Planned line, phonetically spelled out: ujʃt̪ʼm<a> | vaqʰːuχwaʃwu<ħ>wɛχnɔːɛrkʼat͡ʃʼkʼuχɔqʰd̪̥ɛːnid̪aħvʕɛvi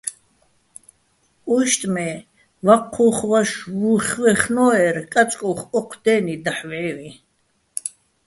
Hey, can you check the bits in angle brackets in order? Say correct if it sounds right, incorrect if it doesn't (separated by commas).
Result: incorrect, incorrect